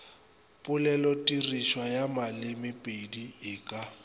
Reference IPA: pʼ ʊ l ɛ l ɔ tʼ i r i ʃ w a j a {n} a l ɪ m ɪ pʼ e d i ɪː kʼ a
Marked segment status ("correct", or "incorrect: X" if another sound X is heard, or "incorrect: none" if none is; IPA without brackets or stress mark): incorrect: m